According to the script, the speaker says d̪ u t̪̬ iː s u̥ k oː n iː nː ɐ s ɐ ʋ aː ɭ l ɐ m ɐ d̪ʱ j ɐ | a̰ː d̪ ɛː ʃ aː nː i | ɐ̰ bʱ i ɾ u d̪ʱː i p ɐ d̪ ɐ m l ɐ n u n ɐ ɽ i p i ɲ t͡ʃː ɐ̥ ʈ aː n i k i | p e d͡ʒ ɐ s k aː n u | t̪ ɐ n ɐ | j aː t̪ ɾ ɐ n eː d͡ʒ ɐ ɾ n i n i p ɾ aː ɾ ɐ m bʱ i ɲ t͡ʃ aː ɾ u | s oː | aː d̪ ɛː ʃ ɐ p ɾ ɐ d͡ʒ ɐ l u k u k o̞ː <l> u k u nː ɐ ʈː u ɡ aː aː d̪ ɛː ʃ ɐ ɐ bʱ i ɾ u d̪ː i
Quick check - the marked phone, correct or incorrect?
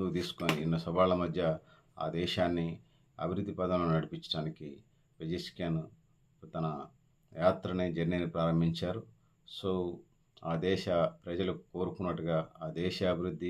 incorrect